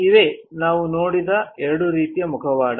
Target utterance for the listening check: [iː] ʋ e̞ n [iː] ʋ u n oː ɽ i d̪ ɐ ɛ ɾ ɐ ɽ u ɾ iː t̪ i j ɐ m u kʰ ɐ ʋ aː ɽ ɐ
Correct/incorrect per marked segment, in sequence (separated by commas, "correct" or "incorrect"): incorrect, incorrect